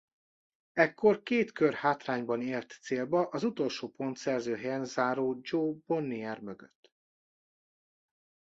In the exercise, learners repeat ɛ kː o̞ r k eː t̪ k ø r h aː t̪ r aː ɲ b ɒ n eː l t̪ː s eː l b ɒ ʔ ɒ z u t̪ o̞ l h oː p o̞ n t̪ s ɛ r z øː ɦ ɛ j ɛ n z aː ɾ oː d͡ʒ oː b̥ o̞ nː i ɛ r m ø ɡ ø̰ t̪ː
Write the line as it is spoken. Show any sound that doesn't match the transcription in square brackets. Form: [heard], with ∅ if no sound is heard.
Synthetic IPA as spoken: ɛ kː o̞ r k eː t̪ k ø r h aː t̪ r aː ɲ b ɒ n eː l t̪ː s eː l b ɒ ʔ ɒ z u t̪ o̞ l [ʃ] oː p o̞ n t̪ s ɛ r z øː ɦ ɛ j ɛ n z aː ɾ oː d͡ʒ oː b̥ o̞ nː i ɛ r m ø ɡ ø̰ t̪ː